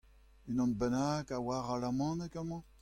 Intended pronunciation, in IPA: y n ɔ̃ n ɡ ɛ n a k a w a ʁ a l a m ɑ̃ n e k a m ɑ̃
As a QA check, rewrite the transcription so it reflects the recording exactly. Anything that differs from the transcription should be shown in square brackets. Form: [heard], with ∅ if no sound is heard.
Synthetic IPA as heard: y n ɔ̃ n [b] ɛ n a k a w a ʁ a l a m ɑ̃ n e k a m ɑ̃